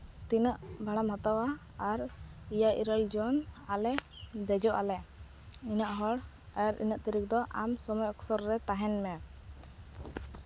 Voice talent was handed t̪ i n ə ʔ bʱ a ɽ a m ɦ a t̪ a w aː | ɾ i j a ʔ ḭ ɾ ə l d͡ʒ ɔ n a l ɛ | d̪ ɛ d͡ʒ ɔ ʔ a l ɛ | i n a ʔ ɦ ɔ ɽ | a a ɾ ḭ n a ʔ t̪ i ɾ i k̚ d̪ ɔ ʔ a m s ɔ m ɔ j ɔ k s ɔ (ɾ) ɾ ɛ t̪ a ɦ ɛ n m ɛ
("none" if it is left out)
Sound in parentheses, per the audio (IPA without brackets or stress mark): ɾ